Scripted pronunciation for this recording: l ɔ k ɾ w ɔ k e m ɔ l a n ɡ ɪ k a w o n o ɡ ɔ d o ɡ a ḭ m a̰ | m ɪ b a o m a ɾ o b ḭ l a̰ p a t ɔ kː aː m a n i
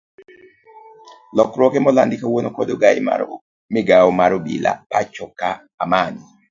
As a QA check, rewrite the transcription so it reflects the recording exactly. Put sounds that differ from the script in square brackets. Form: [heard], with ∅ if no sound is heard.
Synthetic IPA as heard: l ɔ k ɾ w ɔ k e m ɔ l a n [d] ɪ k a w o n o [k] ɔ d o ɡ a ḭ m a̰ | m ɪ [ɡ] a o m a ɾ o b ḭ l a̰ p a [t͡ʃ] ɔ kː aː m a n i